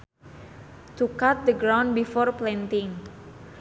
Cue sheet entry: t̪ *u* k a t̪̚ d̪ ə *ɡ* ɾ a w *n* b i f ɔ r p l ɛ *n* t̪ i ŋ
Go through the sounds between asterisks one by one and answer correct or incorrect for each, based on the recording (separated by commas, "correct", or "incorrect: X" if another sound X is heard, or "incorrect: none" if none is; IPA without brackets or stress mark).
correct, correct, correct, correct